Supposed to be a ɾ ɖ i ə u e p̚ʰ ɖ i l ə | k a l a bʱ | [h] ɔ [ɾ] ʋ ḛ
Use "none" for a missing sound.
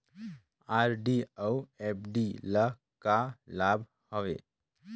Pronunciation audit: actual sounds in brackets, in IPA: h, none

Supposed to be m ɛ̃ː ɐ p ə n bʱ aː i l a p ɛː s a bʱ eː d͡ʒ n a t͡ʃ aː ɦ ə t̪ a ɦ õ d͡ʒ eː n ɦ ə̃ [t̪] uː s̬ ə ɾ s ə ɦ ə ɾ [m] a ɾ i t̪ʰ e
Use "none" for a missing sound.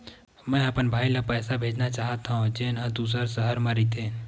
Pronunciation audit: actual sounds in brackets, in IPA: d̪, m

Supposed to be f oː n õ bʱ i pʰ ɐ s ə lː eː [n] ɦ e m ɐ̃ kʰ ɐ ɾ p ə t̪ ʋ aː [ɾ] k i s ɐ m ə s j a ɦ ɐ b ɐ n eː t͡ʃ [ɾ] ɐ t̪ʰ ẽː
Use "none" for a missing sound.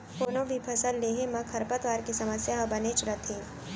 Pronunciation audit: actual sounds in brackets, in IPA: none, ɾ, ɾ

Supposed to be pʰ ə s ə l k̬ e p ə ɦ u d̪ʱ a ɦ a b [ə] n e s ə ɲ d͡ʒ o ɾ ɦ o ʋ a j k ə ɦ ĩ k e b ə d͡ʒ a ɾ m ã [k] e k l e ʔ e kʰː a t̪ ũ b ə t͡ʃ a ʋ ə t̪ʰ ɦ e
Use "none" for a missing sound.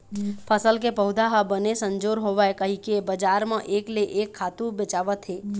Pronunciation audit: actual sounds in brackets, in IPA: ə, ʔ

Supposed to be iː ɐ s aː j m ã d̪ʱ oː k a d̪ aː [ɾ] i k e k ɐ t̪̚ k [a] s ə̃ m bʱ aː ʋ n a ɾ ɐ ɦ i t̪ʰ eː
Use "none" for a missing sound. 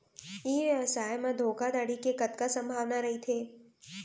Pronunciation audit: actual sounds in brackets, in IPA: ɽ, a

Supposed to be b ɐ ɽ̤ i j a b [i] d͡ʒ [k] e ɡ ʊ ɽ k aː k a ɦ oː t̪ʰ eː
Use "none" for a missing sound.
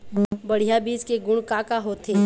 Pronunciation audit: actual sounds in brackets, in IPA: iː, k

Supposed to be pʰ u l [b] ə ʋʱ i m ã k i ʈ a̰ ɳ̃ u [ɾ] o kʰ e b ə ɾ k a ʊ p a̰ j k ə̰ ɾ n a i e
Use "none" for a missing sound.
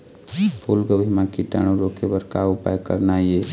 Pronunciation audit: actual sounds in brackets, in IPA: ɡ, ɾ

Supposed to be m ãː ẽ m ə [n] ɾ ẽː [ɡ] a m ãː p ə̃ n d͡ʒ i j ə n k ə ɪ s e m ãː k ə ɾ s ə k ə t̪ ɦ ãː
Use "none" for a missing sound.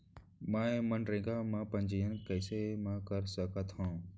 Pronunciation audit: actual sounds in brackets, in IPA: n, ɡ

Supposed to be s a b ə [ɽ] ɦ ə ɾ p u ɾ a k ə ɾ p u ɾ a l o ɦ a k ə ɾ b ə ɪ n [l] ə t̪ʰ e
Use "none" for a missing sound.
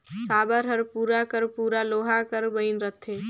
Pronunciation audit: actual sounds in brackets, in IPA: ɾ, ɾ

